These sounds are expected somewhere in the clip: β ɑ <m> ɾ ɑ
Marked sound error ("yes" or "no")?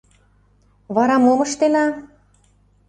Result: yes